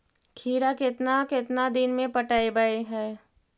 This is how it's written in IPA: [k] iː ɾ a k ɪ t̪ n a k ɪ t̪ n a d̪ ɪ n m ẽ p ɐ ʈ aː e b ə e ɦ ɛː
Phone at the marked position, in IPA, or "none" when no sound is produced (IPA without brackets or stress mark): kʰ